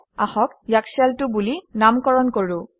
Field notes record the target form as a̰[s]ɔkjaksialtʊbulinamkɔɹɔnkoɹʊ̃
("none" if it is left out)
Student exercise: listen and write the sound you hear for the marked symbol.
x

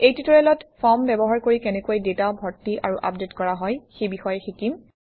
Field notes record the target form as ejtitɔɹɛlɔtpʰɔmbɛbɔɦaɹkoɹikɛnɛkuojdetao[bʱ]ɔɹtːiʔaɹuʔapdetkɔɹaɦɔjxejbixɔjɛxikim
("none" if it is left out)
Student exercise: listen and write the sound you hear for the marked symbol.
bʱ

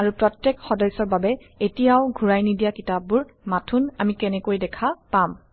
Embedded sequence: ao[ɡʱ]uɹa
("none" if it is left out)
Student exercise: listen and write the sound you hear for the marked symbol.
ɡʱ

